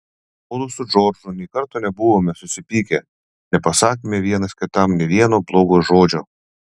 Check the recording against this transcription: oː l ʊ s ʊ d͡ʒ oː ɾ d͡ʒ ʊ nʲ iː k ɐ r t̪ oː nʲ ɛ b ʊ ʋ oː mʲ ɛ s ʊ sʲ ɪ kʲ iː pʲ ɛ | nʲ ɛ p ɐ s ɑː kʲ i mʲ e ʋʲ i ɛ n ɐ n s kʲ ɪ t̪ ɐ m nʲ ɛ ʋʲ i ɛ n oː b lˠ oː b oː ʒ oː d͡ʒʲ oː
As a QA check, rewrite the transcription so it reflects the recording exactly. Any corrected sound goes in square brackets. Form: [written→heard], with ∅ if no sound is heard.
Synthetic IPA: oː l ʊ s ʊ d͡ʒ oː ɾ d͡ʒ ʊ nʲ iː k ɐ [r→ɾ] t̪ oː nʲ ɛ b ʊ ʋ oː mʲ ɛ s ʊ sʲ ɪ [kʲ→pʲ] iː [pʲ→kʲ] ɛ | nʲ ɛ p ɐ s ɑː kʲ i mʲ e ʋʲ i ɛ n ɐ [n→∅] s kʲ ɪ t̪ ɐ m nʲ ɛ ʋʲ i ɛ n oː b lˠ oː [b→ɡ] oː ʒ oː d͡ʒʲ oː

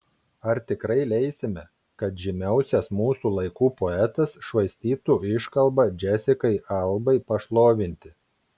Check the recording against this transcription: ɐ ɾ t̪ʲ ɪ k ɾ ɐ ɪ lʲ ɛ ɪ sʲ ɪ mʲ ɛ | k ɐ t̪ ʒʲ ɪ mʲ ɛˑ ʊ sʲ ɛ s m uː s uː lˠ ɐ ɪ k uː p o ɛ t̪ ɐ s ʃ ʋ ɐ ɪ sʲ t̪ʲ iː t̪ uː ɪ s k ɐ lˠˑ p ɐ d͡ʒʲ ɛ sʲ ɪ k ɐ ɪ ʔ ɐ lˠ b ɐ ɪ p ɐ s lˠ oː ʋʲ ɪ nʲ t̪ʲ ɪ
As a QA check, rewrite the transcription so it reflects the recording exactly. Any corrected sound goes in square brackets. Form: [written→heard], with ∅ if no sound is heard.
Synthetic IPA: ɐ ɾ t̪ʲ ɪ k ɾ ɐ ɪ lʲ ɛ ɪ sʲ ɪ mʲ ɛ | k ɐ t̪ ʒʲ ɪ mʲ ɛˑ ʊ sʲ ɛ s m uː s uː lˠ ɐ ɪ k uː p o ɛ t̪ ɐ s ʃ ʋ ɐ ɪ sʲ t̪ʲ iː t̪ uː ɪ [s→ʃ] k ɐ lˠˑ [p→b] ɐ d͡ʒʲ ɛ sʲ ɪ k ɐ ɪ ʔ ɐ lˠ b ɐ ɪ p ɐ [s→ʃ] lˠ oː ʋʲ ɪ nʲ t̪ʲ ɪ

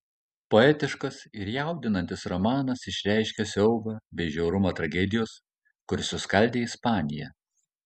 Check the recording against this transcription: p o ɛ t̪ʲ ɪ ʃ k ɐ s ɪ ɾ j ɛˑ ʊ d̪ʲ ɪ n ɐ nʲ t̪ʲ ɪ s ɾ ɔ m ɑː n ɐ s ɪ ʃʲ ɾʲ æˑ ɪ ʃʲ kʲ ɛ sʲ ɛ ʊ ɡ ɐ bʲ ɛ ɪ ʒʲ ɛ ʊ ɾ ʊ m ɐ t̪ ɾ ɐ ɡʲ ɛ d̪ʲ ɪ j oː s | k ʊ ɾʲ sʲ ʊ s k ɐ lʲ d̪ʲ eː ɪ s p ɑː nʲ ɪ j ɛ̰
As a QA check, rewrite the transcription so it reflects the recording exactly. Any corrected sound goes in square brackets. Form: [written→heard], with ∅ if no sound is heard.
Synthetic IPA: p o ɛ t̪ʲ ɪ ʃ k ɐ s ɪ ɾ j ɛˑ ʊ d̪ʲ ɪ n ɐ nʲ t̪ʲ ɪ s ɾ ɔ m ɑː n ɐ s ɪ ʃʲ ɾʲ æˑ ɪ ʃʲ kʲ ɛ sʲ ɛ ʊ ɡ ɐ bʲ ɛ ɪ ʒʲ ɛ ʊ ɾ ʊ m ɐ t̪ ɾ ɐ ɡʲ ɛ d̪ʲ ɪ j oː s | k ʊ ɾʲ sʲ ʊ s k ɐ lʲ d̪ʲ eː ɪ s p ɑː nʲ ɪ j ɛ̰

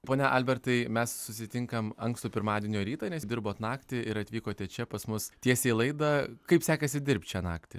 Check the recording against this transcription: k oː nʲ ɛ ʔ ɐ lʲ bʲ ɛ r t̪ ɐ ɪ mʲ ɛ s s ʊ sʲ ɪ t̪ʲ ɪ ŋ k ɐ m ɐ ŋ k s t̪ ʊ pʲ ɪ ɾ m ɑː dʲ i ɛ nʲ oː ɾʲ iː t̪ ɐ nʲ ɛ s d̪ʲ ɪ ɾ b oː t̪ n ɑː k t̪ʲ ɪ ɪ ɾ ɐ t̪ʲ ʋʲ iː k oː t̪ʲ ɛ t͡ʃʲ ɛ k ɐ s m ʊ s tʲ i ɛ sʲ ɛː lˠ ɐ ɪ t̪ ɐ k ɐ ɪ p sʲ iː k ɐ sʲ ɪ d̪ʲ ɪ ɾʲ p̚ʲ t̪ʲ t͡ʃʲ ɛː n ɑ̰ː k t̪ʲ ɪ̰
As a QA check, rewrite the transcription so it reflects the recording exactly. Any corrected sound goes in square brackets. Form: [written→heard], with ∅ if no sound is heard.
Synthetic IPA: [k→p] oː nʲ ɛ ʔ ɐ lʲ bʲ ɛ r t̪ ɐ ɪ mʲ ɛ s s ʊ sʲ ɪ t̪ʲ ɪ ŋ k ɐ m ɐ ŋ k s t̪ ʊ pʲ ɪ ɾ m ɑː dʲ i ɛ nʲ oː ɾʲ iː t̪ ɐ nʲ ɛ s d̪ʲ ɪ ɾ b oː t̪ n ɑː k t̪ʲ ɪ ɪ ɾ ɐ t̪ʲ ʋʲ iː k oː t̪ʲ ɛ t͡ʃʲ ɛ [k→p] ɐ s m ʊ s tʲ i ɛ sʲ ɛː lˠ ɐ ɪ [t̪→d̪] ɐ k ɐ ɪ p sʲ [iː→æː] k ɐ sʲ ɪ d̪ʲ ɪ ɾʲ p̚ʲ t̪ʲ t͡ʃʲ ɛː n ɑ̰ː k t̪ʲ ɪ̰

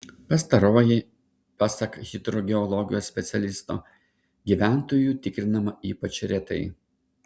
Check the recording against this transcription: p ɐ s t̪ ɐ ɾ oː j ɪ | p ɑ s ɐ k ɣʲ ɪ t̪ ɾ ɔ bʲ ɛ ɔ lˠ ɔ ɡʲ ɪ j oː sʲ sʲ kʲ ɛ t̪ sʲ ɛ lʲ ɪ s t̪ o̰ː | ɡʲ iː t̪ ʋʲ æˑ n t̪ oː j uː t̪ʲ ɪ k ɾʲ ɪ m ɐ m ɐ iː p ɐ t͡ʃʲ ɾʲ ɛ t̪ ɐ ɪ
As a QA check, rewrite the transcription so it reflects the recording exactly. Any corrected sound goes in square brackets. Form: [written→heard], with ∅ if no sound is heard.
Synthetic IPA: p ɐ s t̪ ɐ ɾ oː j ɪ | p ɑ s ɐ k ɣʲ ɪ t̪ ɾ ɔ [bʲ→ɡʲ] ɛ ɔ lˠ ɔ ɡʲ ɪ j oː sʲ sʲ [kʲ→pʲ] ɛ t̪ sʲ ɛ lʲ ɪ s t̪ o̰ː | ɡʲ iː [t̪→∅] ʋʲ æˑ n t̪ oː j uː t̪ʲ ɪ k ɾʲ ɪ [m→n] ɐ m ɐ iː p ɐ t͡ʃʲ ɾʲ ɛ t̪ ɐ ɪ

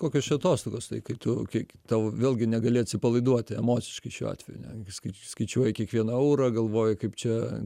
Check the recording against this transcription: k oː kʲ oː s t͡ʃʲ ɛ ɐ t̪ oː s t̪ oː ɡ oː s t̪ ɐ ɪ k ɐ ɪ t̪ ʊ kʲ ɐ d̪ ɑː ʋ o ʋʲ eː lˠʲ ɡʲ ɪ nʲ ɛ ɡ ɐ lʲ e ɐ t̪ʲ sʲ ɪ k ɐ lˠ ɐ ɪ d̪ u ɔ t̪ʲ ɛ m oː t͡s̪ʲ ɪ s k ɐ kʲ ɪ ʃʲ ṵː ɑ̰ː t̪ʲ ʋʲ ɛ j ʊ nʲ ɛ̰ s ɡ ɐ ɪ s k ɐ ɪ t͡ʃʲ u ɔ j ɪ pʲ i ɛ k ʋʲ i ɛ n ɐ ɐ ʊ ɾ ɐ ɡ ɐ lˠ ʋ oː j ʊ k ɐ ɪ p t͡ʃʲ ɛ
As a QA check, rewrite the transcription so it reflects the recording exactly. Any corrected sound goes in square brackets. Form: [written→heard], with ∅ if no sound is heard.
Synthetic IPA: k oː kʲ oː s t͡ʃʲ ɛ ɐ t̪ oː s t̪ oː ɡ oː s t̪ ɐ ɪ k ɐ ɪ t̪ ʊ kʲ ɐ [d̪→t̪] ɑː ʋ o ʋʲ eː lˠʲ ɡʲ ɪ nʲ ɛ ɡ ɐ lʲ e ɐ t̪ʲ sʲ ɪ [k→p] ɐ lˠ ɐ ɪ d̪ u ɔ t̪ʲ ɛ m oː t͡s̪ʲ ɪ [s→ʃ] k ɐ [kʲ→∅] ɪ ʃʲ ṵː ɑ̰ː t̪ʲ ʋʲ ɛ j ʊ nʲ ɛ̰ s [ɡ→k] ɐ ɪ s k ɐ ɪ t͡ʃʲ u ɔ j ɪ [pʲ→kʲ] i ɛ k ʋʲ i ɛ n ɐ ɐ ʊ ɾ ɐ ɡ ɐ lˠ ʋ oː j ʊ k ɐ ɪ p t͡ʃʲ ɛ

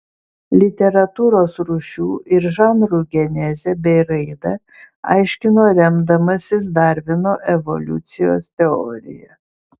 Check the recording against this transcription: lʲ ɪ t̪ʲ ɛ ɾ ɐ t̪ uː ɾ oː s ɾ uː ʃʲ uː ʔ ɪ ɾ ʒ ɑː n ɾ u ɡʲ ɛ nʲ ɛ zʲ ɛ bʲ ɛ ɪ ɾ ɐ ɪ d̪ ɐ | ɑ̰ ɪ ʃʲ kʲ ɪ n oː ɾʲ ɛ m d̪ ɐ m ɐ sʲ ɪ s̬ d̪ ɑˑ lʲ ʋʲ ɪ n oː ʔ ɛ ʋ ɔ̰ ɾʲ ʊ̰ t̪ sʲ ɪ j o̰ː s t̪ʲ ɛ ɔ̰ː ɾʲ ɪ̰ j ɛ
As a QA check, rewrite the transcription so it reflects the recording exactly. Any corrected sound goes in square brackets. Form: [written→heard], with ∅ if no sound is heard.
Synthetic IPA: lʲ ɪ t̪ʲ ɛ ɾ ɐ t̪ uː ɾ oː s ɾ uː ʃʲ uː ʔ ɪ ɾ ʒ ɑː n ɾ u ɡʲ ɛ nʲ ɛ zʲ ɛ bʲ ɛ ɪ ɾ ɐ ɪ d̪ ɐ | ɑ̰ ɪ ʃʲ kʲ ɪ n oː ɾʲ ɛ m d̪ ɐ m ɐ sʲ ɪ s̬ d̪ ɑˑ [lʲ→ɾʲ] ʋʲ ɪ n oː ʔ ɛ ʋ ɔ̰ [ɾʲ→lʲ] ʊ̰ t̪ sʲ ɪ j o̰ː s t̪ʲ ɛ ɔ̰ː ɾʲ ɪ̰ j ɛ

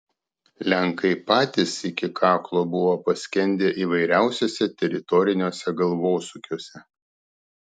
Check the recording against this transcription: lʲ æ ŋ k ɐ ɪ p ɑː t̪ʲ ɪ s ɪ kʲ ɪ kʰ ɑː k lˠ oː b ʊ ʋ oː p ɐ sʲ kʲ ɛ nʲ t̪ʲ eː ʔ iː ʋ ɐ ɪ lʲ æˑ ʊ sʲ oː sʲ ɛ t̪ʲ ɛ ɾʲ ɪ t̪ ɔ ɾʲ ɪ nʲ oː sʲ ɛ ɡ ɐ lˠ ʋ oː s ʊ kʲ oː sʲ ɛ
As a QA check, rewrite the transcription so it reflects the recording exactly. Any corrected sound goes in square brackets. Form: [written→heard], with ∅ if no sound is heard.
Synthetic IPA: lʲ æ ŋ k ɐ ɪ p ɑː t̪ʲ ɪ s ɪ kʲ ɪ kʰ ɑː k lˠ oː b ʊ ʋ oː p ɐ sʲ kʲ ɛ nʲ [t̪ʲ→d̪ʲ] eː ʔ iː ʋ ɐ ɪ [lʲ→ɾʲ] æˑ ʊ sʲ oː sʲ ɛ t̪ʲ ɛ ɾʲ ɪ t̪ ɔ ɾʲ ɪ nʲ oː sʲ ɛ ɡ ɐ lˠ ʋ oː s ʊ kʲ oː sʲ ɛ

